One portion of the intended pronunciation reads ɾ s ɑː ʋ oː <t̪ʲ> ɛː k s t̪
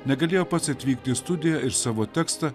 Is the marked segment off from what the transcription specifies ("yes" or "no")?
no